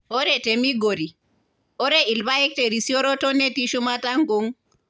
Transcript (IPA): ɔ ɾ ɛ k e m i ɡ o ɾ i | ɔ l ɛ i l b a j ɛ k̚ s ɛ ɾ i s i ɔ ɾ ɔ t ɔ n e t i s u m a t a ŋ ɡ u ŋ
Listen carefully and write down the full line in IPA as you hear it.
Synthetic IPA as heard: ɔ ɾ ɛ t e m i ɡ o ɾ i | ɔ ɾ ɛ i l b a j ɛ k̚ t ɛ ɾ i s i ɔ ɾ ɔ t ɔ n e t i ʃ u m a t a ŋ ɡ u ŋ